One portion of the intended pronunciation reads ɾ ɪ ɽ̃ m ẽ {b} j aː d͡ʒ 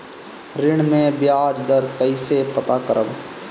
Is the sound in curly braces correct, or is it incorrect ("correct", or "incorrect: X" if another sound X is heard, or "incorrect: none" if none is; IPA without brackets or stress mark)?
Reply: correct